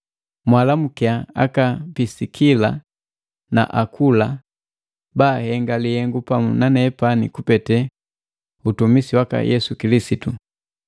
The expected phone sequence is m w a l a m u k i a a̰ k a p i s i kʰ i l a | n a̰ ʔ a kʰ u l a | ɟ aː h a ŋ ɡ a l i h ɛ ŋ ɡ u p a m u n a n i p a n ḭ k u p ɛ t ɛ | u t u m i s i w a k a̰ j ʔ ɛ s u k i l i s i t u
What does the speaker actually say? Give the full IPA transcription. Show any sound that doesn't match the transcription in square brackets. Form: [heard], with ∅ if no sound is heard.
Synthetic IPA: m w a l a m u k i a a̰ k a p i s i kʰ i l a | n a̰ ʔ a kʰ u l a | [b] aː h [ɛ] ŋ ɡ a l i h ɛ ŋ ɡ u p a m u n a n [ɛ] p a n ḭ k u p ɛ t ɛ | u t u m i s i w a k a̰ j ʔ ɛ s u k i l i s i t u